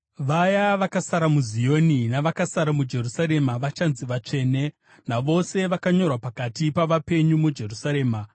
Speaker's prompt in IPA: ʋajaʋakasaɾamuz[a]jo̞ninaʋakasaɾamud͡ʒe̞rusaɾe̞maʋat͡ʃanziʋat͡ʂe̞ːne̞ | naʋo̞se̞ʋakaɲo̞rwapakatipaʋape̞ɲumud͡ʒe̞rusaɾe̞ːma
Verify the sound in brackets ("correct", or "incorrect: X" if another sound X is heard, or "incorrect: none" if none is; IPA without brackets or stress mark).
incorrect: i